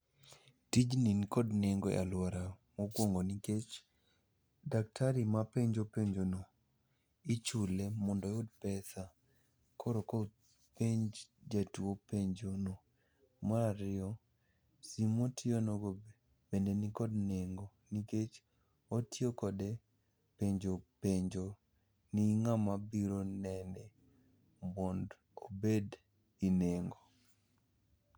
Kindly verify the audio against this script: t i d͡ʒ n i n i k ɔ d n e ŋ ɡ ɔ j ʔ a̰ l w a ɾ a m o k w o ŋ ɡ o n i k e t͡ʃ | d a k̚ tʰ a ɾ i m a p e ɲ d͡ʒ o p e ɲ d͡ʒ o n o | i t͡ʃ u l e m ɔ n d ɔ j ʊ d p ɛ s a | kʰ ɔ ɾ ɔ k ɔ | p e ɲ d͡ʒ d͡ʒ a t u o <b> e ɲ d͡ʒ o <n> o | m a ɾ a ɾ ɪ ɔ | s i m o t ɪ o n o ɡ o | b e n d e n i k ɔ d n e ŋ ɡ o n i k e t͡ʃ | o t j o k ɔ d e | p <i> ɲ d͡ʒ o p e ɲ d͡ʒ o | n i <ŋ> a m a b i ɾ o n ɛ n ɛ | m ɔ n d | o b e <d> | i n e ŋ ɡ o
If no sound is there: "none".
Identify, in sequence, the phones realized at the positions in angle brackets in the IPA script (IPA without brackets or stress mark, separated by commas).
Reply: p, n, e, ŋ, d